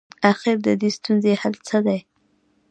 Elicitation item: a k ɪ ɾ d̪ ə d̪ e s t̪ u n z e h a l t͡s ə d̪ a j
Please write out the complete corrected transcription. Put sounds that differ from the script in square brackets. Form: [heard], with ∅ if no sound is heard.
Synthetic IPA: a [x] ɪ ɾ d̪ ə d̪ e s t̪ u n z e h a l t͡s ə d̪ a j